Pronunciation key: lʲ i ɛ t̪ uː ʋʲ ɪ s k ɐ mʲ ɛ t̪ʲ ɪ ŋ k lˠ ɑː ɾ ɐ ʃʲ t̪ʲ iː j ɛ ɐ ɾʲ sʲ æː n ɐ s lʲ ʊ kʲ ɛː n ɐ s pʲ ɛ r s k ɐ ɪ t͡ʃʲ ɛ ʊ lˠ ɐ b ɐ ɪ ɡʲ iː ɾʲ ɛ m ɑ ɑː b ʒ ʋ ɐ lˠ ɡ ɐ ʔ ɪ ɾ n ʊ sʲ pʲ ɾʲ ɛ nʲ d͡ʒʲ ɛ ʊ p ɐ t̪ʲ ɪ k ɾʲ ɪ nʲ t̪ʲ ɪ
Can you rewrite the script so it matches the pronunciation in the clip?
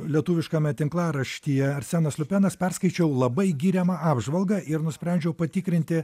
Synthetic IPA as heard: lʲ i ɛ t̪ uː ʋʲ ɪ ʃ k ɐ mʲ ɛ t̪ʲ ɪ ŋ k lˠ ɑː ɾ ɐ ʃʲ t̪ʲ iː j ɛ ɐ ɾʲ sʲ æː n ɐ s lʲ ʊ pʲ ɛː n ɐ s pʲ ɛ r s k ɐ ɪ t͡ʃʲ ɛ ʊ lˠ ɐ b ɐ ɪ ɡʲ iː ɾʲ ɛ m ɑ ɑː b ʒ ʋ ɐ lˠ ɡ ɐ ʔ ɪ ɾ n ʊ sʲ pʲ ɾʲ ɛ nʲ d͡ʒʲ ɛ ʊ p ɐ t̪ʲ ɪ k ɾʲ ɪ nʲ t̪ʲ ɪ